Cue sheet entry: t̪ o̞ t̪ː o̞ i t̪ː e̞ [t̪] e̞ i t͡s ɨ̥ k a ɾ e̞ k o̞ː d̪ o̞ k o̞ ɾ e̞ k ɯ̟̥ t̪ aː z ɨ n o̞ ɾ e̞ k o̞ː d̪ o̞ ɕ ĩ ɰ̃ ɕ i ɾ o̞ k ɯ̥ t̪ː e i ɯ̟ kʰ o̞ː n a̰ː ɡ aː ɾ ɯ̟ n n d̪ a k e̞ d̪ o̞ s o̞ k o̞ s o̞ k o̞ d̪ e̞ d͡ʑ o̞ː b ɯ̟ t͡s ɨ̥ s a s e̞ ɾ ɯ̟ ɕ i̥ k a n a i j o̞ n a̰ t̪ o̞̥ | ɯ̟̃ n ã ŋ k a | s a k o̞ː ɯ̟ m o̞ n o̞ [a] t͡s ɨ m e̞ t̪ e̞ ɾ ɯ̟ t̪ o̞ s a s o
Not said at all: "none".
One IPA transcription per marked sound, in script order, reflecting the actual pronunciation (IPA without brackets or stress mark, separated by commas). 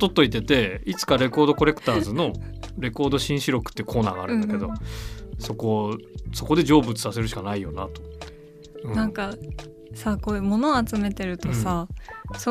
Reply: t̪, a